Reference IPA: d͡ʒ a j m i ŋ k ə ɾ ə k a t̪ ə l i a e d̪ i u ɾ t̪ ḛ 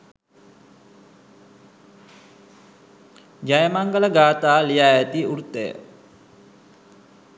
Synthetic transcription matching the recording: d͡ʒ a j m a ŋ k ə l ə ɡ a t̪ a l i a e t̪ i u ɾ t̪ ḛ